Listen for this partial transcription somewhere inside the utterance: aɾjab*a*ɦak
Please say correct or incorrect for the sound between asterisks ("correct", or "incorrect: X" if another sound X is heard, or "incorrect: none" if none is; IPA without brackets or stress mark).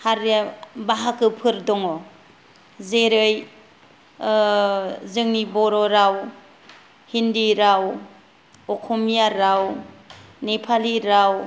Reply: correct